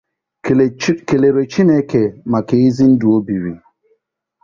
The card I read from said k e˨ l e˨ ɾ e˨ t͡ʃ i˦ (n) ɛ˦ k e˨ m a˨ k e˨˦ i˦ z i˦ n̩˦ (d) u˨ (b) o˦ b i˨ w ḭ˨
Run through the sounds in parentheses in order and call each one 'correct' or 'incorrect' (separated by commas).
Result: correct, correct, incorrect